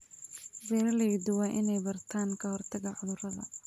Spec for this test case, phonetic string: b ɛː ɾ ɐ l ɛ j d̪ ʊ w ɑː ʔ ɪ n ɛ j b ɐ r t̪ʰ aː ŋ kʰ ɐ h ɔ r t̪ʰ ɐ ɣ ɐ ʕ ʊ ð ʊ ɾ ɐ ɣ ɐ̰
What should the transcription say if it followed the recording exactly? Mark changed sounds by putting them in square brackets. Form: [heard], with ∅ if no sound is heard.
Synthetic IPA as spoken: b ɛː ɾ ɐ l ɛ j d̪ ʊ w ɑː ʔ ɪ n ɛ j b ɐ r t̪ʰ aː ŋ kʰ ɐ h ɔ r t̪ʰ ɐ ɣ ɐ ʕ ʊ ð ʊ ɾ ɐ [ð] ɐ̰